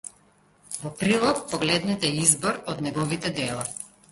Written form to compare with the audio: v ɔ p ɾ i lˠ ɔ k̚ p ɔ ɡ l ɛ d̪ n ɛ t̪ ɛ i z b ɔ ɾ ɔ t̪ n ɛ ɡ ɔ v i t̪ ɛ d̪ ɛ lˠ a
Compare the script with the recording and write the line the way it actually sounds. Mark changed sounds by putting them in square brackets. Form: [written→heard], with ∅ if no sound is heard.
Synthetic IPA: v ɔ p ɾ i lˠ ɔ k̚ p ɔ ɡ l ɛ d̪ n ɛ t̪ ɛ i z b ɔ ɾ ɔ [t̪→d̪] n ɛ ɡ ɔ v i t̪ ɛ d̪ ɛ lˠ a